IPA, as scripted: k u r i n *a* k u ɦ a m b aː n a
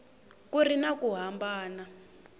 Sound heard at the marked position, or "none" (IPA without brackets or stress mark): a